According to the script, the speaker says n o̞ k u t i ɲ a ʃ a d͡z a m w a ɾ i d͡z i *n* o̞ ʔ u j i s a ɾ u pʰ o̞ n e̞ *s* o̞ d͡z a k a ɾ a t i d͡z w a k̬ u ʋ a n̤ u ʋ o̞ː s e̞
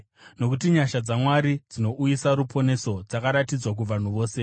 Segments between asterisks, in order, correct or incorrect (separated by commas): correct, correct